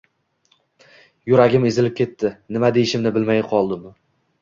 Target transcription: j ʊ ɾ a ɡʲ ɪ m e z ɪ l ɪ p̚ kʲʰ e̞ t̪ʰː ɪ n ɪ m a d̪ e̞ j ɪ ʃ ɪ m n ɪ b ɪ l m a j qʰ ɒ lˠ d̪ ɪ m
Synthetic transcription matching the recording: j ʊ ɾ a ɡʲ ɪ m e z ɪ l ɪ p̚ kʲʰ e̞ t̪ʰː ɪ n ɪ m a d̪ e̞ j ɪ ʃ ɪ m n ɪ b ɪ l m a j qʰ ɒ lˠ d̪ ɪ m

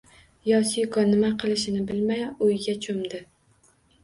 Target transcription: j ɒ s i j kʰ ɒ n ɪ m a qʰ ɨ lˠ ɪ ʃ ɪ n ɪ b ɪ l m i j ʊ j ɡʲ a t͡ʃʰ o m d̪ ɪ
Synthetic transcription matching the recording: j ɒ s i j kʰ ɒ n ɪ m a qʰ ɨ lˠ ɪ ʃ ɪ n ɪ b ɪ l m a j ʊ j ɡʲ a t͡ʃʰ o m d̪ ɪ

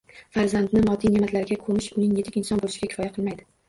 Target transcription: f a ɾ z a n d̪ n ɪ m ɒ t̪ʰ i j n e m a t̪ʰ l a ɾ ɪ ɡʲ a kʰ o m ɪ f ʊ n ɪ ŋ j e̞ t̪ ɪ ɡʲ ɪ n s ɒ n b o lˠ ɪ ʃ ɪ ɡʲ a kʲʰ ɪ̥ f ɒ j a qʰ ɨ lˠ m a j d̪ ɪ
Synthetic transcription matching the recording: f a ɾ z a n d̪ n ɪ m ɒ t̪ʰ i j n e m a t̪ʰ l a ɾ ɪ ɡʲ a kʰ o m ɪ ʃ ʊ n ɪ ŋ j e̞ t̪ ɪ kʲ ɪ n s ɒ n b o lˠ ɪ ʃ ɪ ɡʲ a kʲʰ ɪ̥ f ɒ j a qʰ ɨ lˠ m a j d̪ ɪ

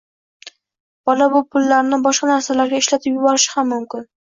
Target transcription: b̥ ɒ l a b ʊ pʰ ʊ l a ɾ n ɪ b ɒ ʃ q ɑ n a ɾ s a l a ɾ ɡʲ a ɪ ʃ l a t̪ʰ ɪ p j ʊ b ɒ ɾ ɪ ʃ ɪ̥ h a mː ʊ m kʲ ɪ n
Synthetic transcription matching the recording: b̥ ɒ l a b ʊ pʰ ʊ lː a ɾ n ɪ b ɒ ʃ q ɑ n a ɾ s a l a ɾ ɡʲ a ɪ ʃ l a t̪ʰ ɪ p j ʊ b ɒ ɾ ɪ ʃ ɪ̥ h a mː ʊ m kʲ ɪ n

